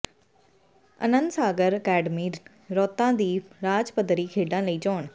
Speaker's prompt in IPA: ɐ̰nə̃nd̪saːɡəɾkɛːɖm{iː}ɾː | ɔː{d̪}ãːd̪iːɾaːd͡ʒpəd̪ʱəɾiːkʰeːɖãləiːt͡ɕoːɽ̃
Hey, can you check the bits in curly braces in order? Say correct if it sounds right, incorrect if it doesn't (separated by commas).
correct, incorrect